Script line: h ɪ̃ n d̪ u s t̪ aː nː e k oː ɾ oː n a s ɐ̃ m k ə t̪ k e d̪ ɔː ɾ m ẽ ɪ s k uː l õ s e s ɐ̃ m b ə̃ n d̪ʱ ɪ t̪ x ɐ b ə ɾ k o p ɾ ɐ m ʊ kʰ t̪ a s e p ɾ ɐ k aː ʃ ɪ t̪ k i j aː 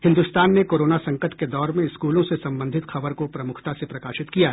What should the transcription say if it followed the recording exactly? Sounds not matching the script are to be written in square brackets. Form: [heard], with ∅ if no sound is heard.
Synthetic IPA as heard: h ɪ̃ n d̪ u s t̪ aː nː e k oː ɾ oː n a s ɐ̃ [ŋ] k ə t̪ k e d̪ ɔː ɾ m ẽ ɪ s k uː l õ s e s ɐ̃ m b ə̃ n d̪ʱ ɪ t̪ x ɐ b ə ɾ k o p ɾ ɐ m ʊ kʰ t̪ a s e p ɾ ɐ k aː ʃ ɪ t̪ k i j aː